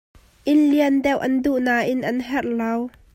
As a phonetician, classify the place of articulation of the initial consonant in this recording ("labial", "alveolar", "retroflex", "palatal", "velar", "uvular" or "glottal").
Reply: glottal